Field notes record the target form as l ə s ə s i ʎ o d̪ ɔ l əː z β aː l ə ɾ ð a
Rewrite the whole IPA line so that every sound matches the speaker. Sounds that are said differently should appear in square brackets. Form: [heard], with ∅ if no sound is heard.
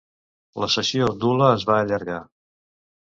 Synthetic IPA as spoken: l ə s ə s i [∅] o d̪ [u] l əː z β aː [ʎ] ə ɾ [ɣ] a